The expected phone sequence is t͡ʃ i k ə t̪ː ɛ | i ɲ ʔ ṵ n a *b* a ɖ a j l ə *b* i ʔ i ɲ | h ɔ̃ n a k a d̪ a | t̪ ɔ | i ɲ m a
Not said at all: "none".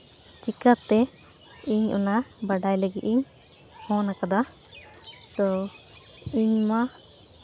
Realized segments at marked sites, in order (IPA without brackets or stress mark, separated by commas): b, ɡ